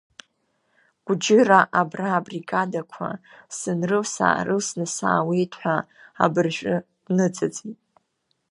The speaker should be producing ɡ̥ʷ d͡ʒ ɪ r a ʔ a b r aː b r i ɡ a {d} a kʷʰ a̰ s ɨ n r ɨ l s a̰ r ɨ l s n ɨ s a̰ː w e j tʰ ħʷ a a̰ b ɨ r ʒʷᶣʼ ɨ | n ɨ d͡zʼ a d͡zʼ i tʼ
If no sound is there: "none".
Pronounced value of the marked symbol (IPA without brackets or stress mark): d